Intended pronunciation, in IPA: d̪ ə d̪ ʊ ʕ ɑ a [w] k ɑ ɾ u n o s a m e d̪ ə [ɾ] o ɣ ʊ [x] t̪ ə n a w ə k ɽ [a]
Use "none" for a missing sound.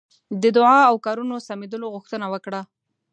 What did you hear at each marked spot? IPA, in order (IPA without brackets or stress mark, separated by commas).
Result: w, l, x, a